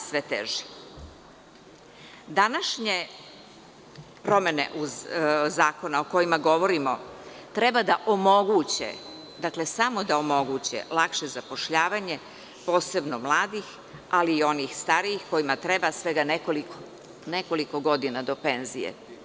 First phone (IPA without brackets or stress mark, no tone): s